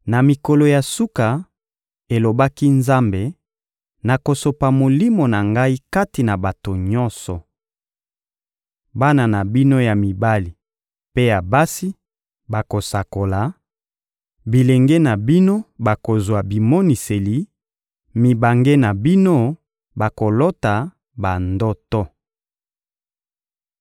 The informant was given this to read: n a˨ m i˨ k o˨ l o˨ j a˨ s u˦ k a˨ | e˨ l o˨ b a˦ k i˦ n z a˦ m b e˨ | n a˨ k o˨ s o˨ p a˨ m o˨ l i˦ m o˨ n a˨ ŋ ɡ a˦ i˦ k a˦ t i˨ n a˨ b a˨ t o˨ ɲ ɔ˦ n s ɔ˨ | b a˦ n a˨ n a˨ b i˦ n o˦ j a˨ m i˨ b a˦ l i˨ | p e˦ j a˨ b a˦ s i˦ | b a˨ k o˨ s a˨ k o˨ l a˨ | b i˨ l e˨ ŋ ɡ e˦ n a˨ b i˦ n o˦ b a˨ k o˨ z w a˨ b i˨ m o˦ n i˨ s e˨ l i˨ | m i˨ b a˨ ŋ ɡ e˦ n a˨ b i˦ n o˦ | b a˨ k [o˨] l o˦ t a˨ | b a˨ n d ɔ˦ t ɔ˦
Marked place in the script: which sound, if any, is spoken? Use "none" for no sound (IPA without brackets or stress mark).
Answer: o˨